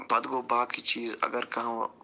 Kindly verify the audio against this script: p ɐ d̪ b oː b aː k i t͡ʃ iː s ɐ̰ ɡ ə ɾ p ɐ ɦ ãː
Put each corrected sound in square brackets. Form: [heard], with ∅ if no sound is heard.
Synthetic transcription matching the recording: p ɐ d̪ [ɡ] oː b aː k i t͡ʃ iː [z] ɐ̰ ɡ ə ɾ [k] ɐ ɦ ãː